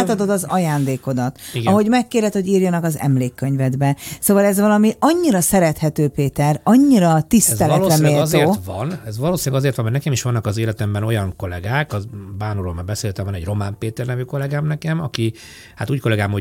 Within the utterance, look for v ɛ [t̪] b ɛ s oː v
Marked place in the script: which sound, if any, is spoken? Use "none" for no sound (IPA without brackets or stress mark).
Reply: d̪